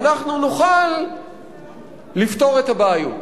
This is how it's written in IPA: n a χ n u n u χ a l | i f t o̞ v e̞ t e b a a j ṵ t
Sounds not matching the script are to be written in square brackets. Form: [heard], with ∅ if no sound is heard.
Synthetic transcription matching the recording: n a χ n u n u χ a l | i f t o̞ [ʁ] e̞ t [a] b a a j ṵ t